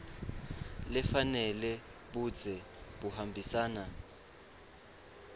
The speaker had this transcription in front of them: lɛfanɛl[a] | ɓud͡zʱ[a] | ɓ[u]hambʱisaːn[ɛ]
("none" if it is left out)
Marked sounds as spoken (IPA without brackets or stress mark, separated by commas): ɛ, ɛ, u, a